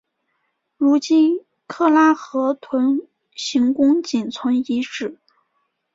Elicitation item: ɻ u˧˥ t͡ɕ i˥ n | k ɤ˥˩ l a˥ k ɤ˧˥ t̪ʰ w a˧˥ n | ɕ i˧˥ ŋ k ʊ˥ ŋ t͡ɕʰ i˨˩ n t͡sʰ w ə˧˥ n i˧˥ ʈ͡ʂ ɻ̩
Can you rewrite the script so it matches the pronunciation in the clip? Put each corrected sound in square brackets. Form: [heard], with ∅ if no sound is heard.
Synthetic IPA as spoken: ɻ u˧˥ t͡ɕ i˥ n | [kʰ] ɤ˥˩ l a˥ [x] ɤ˧˥ t̪ʰ w [ə˧˥] n | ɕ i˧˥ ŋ k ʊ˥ ŋ [t͡ɕ] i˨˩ n t͡sʰ w ə˧˥ n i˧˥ ʈ͡ʂ ɻ̩